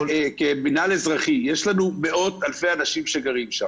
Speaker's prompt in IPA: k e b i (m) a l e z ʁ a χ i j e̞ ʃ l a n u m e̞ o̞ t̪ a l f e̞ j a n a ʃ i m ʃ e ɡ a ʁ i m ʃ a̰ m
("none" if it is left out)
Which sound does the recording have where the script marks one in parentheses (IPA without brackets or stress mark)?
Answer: n